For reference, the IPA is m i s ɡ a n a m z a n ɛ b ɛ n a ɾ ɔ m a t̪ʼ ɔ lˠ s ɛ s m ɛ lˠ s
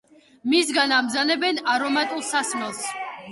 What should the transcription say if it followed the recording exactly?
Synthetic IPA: m i s ɡ a n a m z a n ɛ b ɛ n a ɾ ɔ m a t̪ʼ u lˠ s a s m ɛ lˠ s